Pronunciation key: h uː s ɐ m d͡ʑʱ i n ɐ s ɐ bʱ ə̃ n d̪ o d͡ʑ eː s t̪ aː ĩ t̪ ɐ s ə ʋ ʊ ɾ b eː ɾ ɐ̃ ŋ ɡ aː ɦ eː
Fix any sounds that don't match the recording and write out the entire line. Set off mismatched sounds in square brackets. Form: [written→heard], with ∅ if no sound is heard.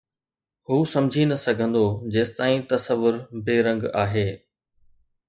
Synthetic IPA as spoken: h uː s ɐ m d͡ʑʱ i n ɐ s ɐ [bʱ→ɡʱ] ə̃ n d̪ o d͡ʑ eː s t̪ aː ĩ t̪ ɐ s ə ʋ ʊ ɾ b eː ɾ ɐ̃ ŋ ɡ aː ɦ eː